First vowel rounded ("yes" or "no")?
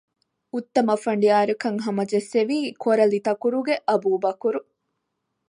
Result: yes